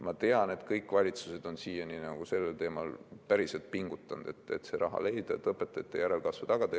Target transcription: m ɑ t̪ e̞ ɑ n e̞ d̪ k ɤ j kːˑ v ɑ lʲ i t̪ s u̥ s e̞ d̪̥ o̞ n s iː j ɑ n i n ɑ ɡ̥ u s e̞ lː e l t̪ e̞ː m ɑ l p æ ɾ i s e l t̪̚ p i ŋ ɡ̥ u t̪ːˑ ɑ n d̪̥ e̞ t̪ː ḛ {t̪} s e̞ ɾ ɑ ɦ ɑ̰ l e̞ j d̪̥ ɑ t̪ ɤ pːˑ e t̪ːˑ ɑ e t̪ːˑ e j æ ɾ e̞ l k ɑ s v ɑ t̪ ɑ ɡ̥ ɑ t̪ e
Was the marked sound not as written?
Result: no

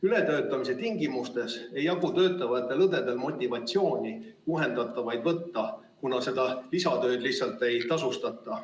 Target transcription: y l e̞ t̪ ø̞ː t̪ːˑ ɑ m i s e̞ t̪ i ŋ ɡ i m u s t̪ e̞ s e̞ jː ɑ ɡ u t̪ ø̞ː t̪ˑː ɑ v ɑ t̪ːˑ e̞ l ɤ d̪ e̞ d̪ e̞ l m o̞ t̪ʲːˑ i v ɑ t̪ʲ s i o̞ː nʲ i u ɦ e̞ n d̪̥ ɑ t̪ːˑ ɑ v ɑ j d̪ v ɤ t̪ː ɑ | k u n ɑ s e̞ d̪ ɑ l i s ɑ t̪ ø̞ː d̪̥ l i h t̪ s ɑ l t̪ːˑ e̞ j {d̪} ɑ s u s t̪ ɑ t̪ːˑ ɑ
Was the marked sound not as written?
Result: yes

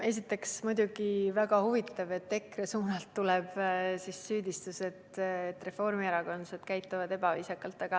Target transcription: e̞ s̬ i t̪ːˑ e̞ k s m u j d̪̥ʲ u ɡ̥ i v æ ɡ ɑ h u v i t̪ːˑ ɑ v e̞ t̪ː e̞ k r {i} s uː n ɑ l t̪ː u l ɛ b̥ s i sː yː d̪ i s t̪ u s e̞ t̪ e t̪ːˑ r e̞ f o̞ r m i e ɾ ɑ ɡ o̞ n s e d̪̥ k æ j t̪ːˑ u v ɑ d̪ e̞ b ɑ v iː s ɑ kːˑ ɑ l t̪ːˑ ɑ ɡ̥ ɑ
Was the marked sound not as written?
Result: yes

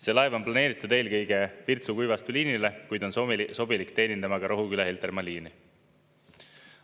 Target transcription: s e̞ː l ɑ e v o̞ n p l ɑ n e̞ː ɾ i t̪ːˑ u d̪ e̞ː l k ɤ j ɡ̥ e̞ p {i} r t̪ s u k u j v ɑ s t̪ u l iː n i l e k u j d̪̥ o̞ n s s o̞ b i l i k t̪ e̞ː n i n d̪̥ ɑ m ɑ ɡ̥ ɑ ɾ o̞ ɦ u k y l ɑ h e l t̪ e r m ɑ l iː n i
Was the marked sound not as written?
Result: no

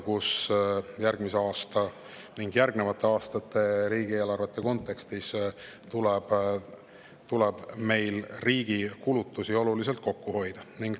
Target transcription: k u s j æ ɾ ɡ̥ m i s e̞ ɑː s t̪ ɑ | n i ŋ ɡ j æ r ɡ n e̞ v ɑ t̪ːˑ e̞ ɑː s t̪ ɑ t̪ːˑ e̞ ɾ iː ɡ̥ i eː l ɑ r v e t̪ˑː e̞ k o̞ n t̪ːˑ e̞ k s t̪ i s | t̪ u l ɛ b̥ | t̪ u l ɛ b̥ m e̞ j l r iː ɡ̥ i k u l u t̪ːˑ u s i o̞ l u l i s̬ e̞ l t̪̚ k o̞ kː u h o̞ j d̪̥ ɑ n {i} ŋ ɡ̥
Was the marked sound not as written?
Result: no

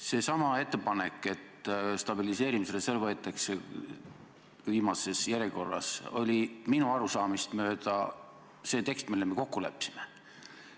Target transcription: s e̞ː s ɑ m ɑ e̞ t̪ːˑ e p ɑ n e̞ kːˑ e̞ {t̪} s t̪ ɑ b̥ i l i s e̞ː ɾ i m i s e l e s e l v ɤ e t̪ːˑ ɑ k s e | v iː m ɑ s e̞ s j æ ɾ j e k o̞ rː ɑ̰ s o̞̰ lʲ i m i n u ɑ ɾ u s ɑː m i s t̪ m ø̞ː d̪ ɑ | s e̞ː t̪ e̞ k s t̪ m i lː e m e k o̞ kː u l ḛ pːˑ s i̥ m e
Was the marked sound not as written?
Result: no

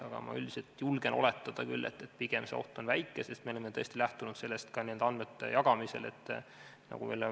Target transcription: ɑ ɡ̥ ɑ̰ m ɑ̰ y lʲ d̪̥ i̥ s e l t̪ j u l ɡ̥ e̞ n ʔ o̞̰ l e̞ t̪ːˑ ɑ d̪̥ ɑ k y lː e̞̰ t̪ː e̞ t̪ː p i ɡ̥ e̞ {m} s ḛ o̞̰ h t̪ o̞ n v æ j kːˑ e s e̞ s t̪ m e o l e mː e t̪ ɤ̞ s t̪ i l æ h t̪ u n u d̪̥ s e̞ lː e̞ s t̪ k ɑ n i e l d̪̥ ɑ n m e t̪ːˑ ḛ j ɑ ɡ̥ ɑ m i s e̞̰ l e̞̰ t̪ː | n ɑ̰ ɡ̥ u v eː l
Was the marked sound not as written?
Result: no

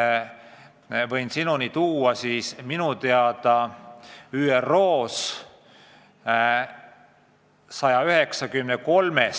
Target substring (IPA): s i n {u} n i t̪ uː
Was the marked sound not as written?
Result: no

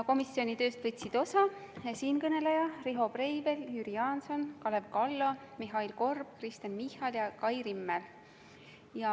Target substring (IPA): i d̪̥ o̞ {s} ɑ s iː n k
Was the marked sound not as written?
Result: no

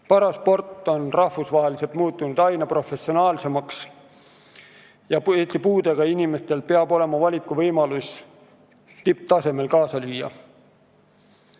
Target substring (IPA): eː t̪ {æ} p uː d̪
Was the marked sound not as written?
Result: yes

